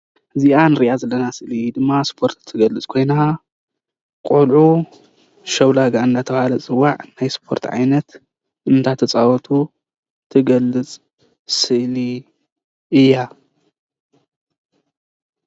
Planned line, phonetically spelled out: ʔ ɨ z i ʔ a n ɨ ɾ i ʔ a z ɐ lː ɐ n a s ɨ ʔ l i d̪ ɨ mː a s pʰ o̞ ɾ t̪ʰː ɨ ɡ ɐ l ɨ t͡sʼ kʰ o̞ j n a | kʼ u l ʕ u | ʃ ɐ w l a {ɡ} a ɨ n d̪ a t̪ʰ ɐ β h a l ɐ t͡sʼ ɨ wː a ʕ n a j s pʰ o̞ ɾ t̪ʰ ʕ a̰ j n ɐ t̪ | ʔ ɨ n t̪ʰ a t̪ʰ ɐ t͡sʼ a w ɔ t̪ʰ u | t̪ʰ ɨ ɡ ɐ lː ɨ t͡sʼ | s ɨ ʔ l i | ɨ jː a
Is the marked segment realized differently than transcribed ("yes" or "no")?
no